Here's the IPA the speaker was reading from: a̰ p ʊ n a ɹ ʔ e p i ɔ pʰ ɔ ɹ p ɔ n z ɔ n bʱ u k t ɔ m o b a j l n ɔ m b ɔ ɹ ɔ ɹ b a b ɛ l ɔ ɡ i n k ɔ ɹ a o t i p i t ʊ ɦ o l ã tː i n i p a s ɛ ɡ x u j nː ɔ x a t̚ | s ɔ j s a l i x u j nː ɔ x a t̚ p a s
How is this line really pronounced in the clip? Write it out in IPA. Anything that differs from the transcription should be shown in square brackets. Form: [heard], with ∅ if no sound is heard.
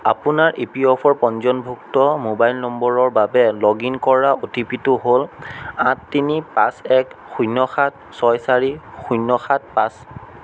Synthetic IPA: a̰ p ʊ n a ɹ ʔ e p i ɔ pʰ ɔ ɹ p ɔ n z ɔ n bʱ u k t ɔ m o b a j l n ɔ m b ɔ ɹ ɔ ɹ b a b ɛ l ɔ ɡ i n k ɔ ɹ a o t i p i t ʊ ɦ o l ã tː i n i p a s ɛ [k] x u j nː ɔ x a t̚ | s ɔ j s a [ɹ] i x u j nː ɔ x a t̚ p a s